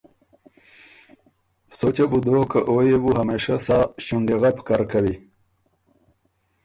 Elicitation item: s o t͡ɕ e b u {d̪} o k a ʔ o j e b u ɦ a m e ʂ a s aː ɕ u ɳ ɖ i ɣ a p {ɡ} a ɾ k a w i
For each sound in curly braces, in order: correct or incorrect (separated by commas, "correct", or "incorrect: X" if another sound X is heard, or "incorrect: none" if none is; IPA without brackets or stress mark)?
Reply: correct, incorrect: k